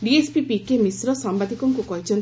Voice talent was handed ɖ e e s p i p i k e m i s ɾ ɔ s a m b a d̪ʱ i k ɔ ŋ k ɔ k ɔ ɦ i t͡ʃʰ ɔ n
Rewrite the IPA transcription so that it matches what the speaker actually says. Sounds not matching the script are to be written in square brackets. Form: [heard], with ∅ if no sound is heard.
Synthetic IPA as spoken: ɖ [i] e s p i p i k e m i s ɾ ɔ s a m b a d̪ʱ i k ɔ ŋ k [u] k ɔ ɦ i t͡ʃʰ ɔ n